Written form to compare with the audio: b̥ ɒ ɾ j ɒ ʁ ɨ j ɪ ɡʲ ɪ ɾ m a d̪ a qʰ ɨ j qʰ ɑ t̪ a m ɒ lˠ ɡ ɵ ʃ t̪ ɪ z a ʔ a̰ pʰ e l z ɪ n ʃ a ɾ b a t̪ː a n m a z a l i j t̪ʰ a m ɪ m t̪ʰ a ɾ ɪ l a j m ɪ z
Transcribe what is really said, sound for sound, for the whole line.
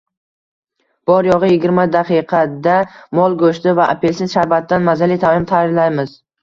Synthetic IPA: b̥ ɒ ɾ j ɒ ʁ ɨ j ɪ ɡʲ ɪ ɾ m a d̪ a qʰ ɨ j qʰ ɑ d̪ a m ɒ lˠ ɡ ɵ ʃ t̪ ɪ v a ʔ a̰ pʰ e l s ɪ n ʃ a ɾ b a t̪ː a n m a z a l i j t̪ʰ a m ɪ m t̪ʰ a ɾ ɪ l a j m ɪ z